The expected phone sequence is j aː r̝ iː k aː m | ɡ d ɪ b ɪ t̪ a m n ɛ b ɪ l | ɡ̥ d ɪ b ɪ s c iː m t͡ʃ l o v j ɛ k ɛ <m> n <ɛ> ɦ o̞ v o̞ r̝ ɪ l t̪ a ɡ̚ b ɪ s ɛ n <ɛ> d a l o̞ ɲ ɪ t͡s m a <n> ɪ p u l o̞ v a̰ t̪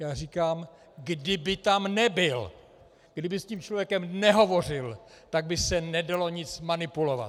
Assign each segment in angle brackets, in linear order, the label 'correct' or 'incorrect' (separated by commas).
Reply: correct, correct, correct, correct